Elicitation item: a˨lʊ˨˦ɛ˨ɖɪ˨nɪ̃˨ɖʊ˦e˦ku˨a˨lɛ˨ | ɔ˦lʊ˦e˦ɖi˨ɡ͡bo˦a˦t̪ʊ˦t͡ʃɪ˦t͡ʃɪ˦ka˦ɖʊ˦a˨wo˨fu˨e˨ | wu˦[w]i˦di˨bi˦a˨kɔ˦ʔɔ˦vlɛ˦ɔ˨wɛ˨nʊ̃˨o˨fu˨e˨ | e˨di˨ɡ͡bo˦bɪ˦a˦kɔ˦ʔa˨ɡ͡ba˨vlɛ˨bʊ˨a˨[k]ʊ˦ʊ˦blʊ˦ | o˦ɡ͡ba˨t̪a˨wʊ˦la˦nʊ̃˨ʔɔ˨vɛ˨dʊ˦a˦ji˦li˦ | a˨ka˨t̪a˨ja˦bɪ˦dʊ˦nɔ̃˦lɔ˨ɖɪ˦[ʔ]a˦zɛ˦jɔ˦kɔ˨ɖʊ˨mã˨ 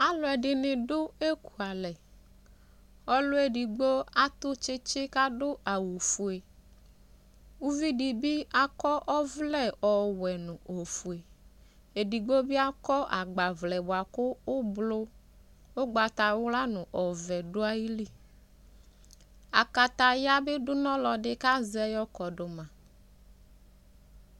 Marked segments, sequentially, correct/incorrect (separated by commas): incorrect, correct, incorrect